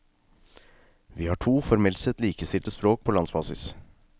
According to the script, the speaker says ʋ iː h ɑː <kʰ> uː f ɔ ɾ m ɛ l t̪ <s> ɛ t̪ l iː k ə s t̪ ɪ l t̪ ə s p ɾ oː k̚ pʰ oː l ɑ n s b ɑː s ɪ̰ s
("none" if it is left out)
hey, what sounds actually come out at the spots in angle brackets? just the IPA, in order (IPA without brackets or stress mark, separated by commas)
ʈʰ, s